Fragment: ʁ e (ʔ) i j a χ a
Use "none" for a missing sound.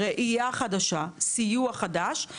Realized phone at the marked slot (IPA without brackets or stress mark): ʔ